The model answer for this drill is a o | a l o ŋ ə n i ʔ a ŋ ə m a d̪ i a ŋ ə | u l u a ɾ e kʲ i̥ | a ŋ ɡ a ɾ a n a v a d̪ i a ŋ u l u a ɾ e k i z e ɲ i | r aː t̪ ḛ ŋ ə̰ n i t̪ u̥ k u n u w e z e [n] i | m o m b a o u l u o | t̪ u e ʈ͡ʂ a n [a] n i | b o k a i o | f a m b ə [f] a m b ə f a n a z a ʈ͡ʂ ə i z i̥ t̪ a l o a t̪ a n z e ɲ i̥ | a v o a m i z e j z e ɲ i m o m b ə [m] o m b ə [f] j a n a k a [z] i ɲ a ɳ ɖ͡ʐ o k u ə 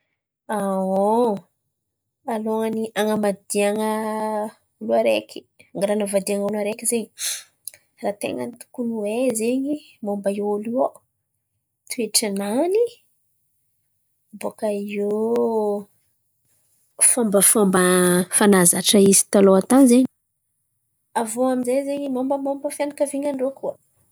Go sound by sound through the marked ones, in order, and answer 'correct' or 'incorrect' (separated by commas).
incorrect, correct, correct, correct, correct, incorrect